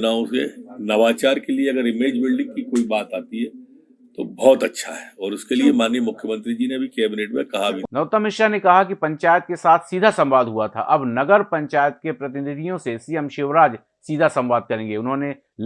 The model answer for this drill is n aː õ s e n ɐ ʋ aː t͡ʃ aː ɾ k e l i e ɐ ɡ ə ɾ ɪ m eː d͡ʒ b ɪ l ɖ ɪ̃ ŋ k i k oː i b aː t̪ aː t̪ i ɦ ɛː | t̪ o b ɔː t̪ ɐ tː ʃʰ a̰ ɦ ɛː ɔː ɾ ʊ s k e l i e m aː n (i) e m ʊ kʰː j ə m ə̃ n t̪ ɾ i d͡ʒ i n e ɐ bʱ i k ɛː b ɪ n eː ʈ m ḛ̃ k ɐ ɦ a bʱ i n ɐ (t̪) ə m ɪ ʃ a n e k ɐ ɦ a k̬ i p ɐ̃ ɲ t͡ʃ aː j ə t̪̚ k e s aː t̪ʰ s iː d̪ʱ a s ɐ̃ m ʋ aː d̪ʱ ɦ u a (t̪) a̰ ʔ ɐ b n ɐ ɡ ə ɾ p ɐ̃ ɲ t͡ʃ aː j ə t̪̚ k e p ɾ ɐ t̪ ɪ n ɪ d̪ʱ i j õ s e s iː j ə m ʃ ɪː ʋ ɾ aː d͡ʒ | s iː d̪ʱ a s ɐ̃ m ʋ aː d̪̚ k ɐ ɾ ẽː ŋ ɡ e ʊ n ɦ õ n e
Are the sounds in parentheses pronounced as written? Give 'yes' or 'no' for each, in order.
no, yes, no

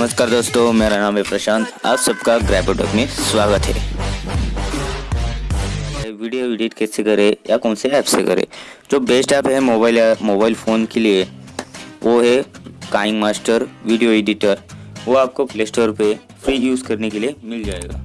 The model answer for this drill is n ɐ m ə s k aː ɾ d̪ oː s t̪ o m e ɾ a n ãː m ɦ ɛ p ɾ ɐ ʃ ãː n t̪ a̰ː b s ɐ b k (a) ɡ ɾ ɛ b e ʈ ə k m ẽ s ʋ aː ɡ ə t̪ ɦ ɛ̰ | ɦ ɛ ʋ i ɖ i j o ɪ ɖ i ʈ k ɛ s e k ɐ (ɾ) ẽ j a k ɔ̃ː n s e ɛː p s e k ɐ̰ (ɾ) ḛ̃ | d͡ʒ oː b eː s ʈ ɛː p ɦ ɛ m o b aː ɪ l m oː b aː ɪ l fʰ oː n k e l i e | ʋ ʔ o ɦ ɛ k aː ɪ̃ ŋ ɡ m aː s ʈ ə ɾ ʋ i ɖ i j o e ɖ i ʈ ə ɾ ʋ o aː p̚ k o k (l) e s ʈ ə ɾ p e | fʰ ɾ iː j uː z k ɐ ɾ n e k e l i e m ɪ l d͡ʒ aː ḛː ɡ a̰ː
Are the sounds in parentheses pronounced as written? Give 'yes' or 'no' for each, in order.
yes, yes, yes, yes

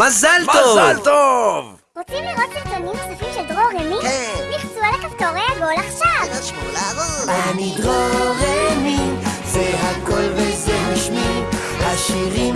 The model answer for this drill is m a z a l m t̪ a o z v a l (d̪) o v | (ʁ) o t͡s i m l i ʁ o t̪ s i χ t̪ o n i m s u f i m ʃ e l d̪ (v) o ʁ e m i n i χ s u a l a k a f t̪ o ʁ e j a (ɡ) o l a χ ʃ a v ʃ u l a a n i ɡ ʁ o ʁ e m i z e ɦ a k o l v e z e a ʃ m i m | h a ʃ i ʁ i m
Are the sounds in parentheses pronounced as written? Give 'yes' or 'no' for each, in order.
no, yes, no, yes

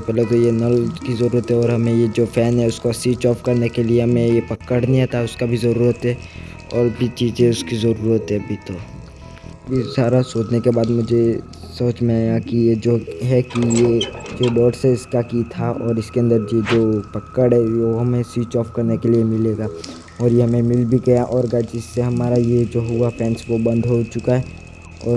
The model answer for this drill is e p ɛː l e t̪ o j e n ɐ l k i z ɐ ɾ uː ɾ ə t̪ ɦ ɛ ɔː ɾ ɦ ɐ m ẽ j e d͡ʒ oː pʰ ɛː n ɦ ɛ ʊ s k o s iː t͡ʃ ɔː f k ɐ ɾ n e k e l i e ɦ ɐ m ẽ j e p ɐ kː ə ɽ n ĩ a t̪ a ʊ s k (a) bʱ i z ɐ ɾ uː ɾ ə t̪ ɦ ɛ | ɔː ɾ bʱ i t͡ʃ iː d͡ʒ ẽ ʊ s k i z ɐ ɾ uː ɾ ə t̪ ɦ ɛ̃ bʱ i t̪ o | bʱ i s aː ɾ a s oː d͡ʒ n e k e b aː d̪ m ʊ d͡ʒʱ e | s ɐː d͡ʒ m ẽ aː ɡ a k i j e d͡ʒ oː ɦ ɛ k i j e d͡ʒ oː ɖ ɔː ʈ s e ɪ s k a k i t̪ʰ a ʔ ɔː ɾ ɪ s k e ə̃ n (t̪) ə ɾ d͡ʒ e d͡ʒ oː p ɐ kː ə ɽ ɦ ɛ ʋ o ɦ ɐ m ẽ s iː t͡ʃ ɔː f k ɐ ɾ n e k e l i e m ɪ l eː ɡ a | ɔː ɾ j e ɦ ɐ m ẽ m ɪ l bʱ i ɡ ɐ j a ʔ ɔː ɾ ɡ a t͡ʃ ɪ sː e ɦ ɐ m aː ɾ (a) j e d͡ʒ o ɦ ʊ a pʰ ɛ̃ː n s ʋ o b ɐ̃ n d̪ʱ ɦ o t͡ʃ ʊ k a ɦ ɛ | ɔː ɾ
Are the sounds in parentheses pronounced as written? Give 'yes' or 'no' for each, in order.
yes, no, yes

